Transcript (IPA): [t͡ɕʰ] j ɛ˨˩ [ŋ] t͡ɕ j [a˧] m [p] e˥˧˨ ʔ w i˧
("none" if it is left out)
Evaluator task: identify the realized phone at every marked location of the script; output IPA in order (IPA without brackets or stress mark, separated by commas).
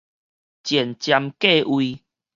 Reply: t͡ɕ, n, a˧, k